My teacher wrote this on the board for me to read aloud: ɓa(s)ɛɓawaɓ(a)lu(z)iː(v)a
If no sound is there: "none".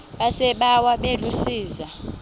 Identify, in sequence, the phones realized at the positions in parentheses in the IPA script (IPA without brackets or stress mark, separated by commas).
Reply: s, e, s, z